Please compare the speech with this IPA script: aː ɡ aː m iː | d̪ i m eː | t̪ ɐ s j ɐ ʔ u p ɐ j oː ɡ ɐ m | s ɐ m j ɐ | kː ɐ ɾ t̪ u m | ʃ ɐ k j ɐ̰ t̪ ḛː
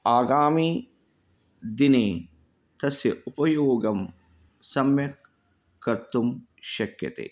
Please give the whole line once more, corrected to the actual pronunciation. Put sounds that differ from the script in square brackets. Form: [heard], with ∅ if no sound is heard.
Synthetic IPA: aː ɡ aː m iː | d̪ i [n] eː | t̪ ɐ s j ɐ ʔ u p ɐ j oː ɡ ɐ m | s ɐ m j ɐ | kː ɐ ɾ t̪ u m | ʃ ɐ k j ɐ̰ t̪ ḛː

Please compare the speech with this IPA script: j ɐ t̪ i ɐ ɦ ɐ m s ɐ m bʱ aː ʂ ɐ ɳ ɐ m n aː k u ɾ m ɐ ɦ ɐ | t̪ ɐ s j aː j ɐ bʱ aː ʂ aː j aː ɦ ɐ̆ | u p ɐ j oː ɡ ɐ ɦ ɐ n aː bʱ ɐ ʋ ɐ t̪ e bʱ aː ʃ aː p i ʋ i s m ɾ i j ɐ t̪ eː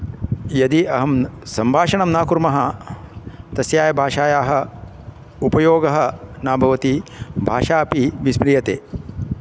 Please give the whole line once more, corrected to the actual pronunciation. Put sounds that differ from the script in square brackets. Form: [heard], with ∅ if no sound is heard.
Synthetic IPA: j ɐ [d̪] i ɐ ɦ ɐ m s ɐ m bʱ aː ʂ ɐ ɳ ɐ m n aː k u ɾ m ɐ ɦ ɐ | t̪ ɐ s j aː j ɐ bʱ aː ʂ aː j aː ɦ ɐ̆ | u p ɐ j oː ɡ ɐ ɦ ɐ n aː bʱ ɐ ʋ ɐ t̪ [i] bʱ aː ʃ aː p i ʋ i s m ɾ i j ɐ t̪ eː

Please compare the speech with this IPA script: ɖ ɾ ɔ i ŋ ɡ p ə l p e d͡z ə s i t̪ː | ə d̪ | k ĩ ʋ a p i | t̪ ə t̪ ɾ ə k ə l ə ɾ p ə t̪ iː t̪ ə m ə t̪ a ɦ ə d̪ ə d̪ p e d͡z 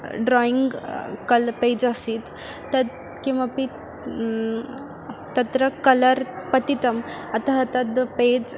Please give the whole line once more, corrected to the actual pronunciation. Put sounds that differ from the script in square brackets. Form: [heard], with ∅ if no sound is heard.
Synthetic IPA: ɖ ɾ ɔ i ŋ ɡ [k] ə l p e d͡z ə s i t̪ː | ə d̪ | k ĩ ʋ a p i | t̪ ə t̪ ɾ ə k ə l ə ɾ p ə t̪ [i] t̪ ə m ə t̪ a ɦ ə [t̪] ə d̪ p e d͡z

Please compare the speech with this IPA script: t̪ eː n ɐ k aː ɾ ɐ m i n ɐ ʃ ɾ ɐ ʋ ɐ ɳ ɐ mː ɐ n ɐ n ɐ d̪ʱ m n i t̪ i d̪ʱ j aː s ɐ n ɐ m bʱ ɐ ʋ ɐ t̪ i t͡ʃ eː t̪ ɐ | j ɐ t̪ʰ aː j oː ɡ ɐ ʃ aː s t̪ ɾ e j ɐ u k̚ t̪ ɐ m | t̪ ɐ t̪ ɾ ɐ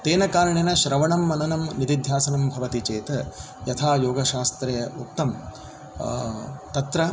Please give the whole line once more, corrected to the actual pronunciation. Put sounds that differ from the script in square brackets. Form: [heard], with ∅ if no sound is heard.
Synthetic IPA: t̪ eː n ɐ k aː ɾ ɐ [ɳ] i n ɐ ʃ ɾ ɐ ʋ ɐ ɳ ɐ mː ɐ n ɐ n ɐ [∅] m n i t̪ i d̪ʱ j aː s ɐ n ɐ m bʱ ɐ ʋ ɐ t̪ i t͡ʃ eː t̪ ɐ | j ɐ t̪ʰ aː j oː ɡ ɐ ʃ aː s t̪ ɾ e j ɐ u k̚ t̪ ɐ m | t̪ ɐ t̪ ɾ ɐ

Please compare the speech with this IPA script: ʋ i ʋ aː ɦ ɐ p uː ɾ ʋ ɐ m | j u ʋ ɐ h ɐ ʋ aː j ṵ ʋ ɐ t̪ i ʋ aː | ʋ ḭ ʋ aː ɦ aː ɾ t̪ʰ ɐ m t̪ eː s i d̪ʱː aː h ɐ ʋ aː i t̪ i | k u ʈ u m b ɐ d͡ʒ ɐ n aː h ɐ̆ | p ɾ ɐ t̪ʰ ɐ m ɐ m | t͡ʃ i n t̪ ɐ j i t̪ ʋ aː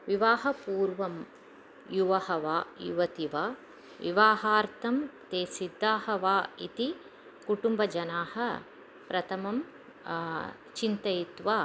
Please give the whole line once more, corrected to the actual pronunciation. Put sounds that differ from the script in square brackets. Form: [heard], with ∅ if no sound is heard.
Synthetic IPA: ʋ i ʋ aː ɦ ɐ p uː ɾ ʋ ɐ m | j u ʋ ɐ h ɐ ʋ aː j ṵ ʋ ɐ t̪ i ʋ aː | ʋ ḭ ʋ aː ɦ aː ɾ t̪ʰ ɐ m t̪ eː s i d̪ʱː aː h ɐ ʋ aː i t̪ i | k u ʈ u m b ɐ d͡ʒ ɐ n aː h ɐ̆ | p ɾ ɐ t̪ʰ ɐ m ɐ m | t͡ʃ i n t̪ ɐ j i t̪ ʋ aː

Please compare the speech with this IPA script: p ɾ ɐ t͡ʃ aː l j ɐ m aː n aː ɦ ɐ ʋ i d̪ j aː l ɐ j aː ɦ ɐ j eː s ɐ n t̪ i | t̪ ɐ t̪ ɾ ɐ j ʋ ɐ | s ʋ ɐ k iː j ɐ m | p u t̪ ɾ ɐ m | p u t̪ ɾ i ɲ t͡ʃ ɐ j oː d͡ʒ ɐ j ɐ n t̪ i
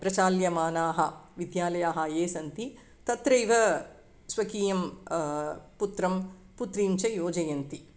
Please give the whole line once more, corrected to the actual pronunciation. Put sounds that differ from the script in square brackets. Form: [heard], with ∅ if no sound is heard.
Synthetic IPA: p ɾ ɐ t͡ʃ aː l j ɐ m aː n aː ɦ ɐ ʋ i d̪ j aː l ɐ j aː ɦ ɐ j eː s ɐ n t̪ i | t̪ ɐ t̪ ɾ ɐ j ʋ ɐ | s ʋ ɐ k iː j ɐ m | p u t̪ ɾ ɐ m | p u t̪ ɾ i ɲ t͡ʃ ɐ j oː d͡ʒ ɐ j ɐ n t̪ i

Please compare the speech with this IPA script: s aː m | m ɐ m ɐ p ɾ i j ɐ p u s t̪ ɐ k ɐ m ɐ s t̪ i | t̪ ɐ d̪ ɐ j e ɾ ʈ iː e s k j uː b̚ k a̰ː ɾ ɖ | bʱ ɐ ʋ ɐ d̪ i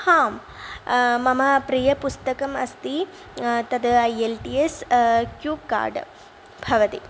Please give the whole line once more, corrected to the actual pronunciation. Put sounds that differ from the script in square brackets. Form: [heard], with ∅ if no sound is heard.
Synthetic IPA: [h] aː m | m ɐ m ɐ p ɾ i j ɐ p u s t̪ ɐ k ɐ m ɐ s t̪ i | t̪ ɐ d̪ ɐ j e [l] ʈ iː e s k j uː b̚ k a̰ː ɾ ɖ | bʱ ɐ ʋ ɐ [t̪] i

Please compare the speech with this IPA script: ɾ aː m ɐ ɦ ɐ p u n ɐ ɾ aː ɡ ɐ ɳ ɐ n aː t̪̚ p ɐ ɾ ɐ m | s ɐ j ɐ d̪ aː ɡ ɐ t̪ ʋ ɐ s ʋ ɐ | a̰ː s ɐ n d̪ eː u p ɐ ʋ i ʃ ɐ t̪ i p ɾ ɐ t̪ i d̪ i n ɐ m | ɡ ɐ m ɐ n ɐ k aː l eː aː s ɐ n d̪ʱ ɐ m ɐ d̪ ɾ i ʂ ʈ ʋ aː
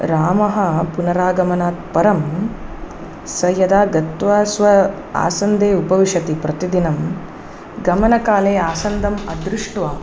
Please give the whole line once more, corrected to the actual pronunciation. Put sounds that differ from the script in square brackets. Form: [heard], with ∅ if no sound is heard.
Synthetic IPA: ɾ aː m ɐ ɦ ɐ p u n ɐ ɾ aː ɡ ɐ [m] ɐ n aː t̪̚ p ɐ ɾ ɐ m | s ɐ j ɐ d̪ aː ɡ ɐ t̪ ʋ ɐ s ʋ ɐ | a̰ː s ɐ n d̪ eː u p ɐ ʋ i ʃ ɐ t̪ i p ɾ ɐ t̪ i d̪ i n ɐ m | ɡ ɐ m ɐ n ɐ k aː l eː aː s ɐ n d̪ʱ ɐ m ɐ d̪ ɾ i ʂ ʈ ʋ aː

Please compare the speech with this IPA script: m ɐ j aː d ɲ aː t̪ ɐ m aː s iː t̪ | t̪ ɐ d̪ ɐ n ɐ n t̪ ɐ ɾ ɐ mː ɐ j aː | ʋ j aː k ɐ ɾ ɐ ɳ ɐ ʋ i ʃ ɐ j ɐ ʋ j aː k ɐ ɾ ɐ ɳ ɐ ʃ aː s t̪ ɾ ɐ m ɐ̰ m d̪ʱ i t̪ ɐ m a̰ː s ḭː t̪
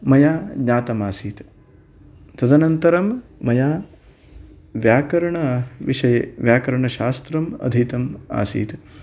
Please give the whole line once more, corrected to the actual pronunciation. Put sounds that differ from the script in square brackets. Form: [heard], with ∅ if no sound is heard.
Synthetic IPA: m ɐ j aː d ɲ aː t̪ ɐ m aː s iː t̪ | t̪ ɐ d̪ ɐ n ɐ n t̪ ɐ ɾ ɐ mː ɐ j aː | ʋ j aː k ɐ ɾ ɐ ɳ ɐ ʋ i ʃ ɐ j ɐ ʋ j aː k ɐ ɾ ɐ ɳ ɐ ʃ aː s t̪ ɾ ɐ m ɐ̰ [∅] d̪ʱ i t̪ ɐ m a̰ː s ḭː t̪

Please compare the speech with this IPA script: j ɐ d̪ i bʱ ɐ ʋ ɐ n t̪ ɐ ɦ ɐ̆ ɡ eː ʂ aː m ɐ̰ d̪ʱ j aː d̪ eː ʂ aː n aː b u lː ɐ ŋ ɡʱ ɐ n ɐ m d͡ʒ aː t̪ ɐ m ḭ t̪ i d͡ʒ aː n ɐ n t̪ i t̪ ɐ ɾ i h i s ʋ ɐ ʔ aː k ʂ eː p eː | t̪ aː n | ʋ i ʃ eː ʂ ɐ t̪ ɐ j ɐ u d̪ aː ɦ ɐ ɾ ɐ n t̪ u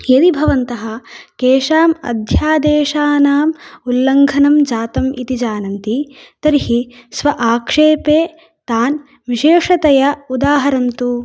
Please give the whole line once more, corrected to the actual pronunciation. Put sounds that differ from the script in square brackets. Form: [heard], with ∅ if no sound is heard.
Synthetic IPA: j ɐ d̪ i bʱ ɐ ʋ ɐ n t̪ ɐ ɦ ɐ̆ [k] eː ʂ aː m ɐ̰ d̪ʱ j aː d̪ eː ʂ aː n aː [m] u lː ɐ ŋ ɡʱ ɐ n ɐ m d͡ʒ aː t̪ ɐ m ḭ t̪ i d͡ʒ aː n ɐ n t̪ i t̪ ɐ ɾ i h i s ʋ ɐ ʔ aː k ʂ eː p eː | t̪ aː n | ʋ i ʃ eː ʂ ɐ t̪ ɐ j ɐ u d̪ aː ɦ ɐ ɾ ɐ n t̪ u

